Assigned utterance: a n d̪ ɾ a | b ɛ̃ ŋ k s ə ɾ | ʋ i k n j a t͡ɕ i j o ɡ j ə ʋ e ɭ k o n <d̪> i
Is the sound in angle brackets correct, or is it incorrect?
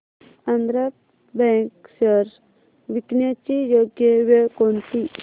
incorrect